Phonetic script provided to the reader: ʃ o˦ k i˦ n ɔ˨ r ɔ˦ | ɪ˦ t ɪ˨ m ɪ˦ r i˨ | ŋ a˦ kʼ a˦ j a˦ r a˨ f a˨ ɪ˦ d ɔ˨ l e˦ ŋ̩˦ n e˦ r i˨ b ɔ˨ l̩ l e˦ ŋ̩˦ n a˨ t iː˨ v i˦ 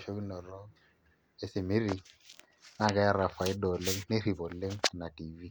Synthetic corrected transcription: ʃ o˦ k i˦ n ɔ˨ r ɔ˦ | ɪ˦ s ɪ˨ m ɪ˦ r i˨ | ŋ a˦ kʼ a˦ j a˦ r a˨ f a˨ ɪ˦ d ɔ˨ l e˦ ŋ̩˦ n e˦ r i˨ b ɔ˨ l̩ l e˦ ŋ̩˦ n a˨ t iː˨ v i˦